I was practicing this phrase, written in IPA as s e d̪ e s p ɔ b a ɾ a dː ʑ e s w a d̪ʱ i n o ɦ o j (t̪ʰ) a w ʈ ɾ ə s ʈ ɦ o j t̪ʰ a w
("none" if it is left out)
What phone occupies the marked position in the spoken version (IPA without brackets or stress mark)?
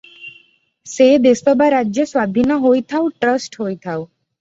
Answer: t̪ʰ